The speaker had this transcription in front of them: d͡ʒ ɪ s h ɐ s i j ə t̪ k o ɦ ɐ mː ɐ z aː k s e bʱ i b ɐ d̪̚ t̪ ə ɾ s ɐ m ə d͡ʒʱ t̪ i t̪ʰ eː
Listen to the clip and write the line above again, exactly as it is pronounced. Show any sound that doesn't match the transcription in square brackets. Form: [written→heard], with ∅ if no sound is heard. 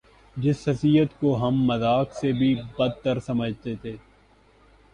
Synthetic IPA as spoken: d͡ʒ ɪ s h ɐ s i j ə t̪ k o ɦ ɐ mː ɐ z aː k s e bʱ i b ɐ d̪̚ t̪ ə ɾ s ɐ m ə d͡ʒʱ t̪ [i→e] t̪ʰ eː